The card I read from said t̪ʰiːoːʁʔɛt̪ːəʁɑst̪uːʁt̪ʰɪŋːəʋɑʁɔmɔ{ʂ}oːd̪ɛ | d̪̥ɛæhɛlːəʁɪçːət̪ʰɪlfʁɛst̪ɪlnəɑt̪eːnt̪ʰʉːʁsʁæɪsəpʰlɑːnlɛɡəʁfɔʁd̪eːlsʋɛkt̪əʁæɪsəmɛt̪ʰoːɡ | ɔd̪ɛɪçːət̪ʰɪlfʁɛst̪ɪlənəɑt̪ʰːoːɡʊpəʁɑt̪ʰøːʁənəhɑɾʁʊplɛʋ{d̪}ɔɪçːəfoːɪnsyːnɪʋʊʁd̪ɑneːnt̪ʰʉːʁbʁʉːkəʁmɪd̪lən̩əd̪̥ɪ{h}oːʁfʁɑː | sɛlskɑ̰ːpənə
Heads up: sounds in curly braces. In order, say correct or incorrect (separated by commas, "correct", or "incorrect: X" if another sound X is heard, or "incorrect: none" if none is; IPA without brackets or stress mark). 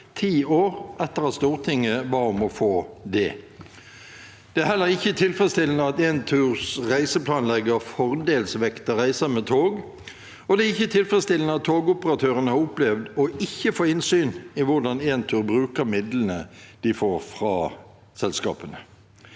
incorrect: f, correct, incorrect: f